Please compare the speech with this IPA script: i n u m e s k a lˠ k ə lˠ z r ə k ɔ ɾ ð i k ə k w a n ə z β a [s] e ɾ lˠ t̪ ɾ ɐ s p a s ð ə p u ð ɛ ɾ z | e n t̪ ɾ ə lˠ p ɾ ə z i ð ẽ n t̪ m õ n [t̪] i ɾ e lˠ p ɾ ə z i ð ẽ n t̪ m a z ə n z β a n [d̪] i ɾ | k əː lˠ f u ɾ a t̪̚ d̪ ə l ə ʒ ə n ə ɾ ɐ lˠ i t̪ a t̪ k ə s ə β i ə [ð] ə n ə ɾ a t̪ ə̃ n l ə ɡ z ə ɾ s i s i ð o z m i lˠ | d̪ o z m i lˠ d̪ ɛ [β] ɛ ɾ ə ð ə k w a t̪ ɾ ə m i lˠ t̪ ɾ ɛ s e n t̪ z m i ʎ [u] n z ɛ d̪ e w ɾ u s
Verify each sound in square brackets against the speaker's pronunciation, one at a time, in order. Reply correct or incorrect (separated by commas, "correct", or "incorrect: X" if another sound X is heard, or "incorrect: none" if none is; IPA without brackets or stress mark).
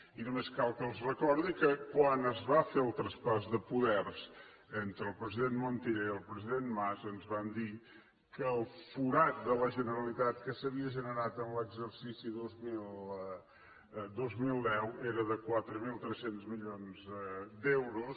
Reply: incorrect: f, correct, correct, incorrect: ʒ, incorrect: w, incorrect: o